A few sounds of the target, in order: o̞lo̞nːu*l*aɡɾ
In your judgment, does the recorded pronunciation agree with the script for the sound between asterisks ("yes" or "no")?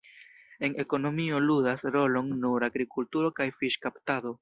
no